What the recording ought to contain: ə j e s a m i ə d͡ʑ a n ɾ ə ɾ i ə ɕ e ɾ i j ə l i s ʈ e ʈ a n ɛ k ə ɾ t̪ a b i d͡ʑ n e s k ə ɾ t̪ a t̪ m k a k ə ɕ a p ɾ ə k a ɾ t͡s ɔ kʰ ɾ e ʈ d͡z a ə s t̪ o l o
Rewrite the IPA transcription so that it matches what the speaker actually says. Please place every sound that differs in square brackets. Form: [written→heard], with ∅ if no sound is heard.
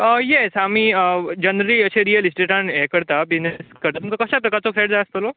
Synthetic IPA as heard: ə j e s a m i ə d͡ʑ [a→ə] n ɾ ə ɾ i ə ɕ e ɾ i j ə l i s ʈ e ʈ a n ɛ k ə ɾ t̪ a b i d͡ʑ n e s k ə ɾ t̪ a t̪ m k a k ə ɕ a p ɾ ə k a ɾ t͡s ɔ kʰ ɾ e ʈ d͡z a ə s t̪ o l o

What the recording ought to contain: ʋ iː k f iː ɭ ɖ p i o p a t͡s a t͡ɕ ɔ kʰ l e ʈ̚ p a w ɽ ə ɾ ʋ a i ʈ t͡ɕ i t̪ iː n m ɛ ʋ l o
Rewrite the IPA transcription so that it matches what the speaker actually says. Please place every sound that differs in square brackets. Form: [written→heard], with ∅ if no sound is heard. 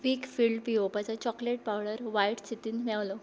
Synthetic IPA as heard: ʋ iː k f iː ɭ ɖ p i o p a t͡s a t͡ɕ ɔ [kʰ→k] l e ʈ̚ p a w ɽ ə ɾ ʋ a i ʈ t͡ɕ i t̪ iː n m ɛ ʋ l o

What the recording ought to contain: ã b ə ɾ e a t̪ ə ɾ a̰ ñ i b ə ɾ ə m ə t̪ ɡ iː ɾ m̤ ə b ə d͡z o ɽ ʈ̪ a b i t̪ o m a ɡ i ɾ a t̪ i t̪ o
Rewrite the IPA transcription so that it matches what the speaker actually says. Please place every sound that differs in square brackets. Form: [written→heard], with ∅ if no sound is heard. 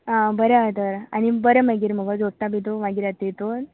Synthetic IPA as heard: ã b ə ɾ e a t̪ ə ɾ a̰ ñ i b ə ɾ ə m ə [t̪→∅] ɡ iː ɾ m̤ ə [b→ɡ] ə d͡z o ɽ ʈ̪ a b i t̪ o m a ɡ i ɾ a t̪ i t̪ o

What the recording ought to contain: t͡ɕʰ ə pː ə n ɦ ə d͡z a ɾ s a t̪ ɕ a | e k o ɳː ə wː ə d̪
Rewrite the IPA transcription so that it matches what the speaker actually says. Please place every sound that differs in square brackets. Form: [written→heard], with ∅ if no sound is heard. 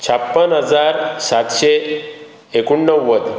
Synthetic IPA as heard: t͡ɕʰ [ə→a] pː ə n ɦ ə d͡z a ɾ s a t̪ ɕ [a→e] | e k [o→u] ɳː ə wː ə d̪

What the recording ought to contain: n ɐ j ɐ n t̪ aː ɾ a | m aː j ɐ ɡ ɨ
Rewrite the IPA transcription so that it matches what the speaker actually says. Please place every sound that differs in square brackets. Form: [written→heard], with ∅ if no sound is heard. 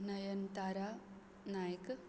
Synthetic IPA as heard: n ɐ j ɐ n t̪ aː ɾ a | [m→n] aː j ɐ [ɡ→k] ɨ

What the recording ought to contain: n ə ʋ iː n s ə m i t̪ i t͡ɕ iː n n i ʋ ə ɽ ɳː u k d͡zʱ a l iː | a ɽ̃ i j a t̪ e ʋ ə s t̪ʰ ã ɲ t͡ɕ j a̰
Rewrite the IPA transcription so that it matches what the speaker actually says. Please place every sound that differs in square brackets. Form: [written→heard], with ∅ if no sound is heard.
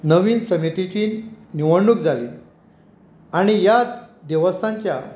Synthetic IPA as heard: n ə ʋ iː n s ə m i t̪ i t͡ɕ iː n n i ʋ ə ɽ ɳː u k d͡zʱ a l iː | a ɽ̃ i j a [t̪→d̪] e ʋ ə s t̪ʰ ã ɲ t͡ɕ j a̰

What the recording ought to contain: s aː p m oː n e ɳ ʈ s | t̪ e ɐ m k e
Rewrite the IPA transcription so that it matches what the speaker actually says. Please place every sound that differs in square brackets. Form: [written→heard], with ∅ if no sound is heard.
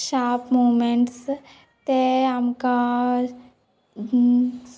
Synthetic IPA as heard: [s→ʃ] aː p m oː [n→m] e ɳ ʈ s | t̪ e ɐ m k [e→a]

